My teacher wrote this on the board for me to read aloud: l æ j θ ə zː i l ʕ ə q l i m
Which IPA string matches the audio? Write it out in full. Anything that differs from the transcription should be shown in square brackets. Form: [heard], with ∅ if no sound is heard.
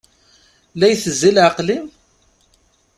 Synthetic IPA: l æ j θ ə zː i l ʕ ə q l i m

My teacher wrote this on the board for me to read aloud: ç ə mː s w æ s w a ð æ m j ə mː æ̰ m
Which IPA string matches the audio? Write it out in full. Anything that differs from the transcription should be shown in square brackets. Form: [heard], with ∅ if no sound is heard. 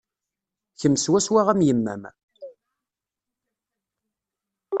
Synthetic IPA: ç ə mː s w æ s w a [ʁ] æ m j ə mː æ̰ m

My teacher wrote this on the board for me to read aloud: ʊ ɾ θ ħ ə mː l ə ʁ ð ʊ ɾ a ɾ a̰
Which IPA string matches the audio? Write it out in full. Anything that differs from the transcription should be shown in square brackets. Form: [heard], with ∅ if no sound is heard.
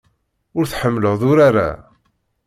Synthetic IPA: ʊ ɾ θ ħ ə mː l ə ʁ ð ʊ ɾ a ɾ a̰

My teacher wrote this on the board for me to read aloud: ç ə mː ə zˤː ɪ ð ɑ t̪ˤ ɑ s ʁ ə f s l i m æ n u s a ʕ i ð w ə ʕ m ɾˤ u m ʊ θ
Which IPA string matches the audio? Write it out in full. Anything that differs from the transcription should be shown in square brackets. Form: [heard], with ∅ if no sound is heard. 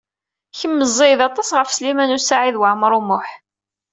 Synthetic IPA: ç ə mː ə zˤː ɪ ð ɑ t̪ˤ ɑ s ʁ ə f s l i m æ n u s a ʕ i ð w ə ʕ m ɾˤ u m ʊ [ħ]

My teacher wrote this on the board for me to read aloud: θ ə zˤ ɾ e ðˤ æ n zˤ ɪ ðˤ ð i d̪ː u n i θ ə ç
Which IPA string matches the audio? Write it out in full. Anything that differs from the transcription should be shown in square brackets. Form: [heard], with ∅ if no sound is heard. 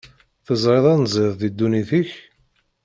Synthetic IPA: θ ə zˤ ɾ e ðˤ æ n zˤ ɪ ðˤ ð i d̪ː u n i θ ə ç

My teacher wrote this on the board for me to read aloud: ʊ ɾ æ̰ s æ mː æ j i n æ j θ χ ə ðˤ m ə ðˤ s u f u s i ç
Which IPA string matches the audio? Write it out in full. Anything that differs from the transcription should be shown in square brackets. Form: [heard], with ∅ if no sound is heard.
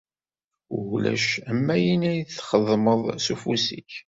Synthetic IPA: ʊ [l] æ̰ [ʃ] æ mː æ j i n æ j θ χ ə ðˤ m ə ðˤ s u f u s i ç

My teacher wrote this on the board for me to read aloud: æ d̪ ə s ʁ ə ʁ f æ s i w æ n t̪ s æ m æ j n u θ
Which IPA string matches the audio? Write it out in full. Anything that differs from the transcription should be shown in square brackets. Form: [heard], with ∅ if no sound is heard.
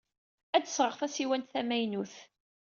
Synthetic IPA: æ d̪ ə s ʁ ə ʁ [θ] æ s i w æ n t̪ [θ] æ m æ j n u θ

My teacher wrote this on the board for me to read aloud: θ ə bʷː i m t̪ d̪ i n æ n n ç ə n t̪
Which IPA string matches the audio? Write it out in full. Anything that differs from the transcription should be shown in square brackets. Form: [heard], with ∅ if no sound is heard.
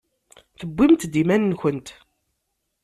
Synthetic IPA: θ ə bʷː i m t̪ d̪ i [m] æ n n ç ə n t̪

